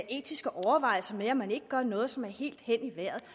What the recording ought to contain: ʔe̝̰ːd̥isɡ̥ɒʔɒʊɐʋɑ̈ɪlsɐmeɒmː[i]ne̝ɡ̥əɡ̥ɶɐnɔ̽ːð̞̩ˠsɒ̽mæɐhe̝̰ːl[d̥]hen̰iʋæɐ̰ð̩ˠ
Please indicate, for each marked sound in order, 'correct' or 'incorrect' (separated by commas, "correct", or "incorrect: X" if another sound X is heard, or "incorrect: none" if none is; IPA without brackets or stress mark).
incorrect: æ, correct